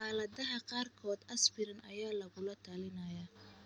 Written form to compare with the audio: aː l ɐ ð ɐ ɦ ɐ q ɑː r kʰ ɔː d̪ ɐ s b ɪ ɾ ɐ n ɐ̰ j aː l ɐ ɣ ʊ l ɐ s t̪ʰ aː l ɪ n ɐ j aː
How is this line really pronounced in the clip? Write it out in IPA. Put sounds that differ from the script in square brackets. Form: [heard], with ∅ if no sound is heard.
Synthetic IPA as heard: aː l ɐ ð ɐ ɦ ɐ q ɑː r kʰ ɔː d̪ ɐ s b ɪ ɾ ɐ n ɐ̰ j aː l ɐ ɣ ʊ l ɐ [∅] t̪ʰ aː l ɪ n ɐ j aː